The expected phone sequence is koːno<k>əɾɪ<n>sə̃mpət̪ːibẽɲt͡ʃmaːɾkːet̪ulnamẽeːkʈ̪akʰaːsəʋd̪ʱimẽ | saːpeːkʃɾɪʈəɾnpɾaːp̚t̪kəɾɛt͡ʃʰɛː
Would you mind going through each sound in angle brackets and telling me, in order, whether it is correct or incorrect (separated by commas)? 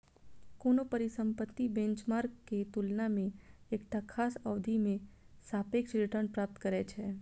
incorrect, incorrect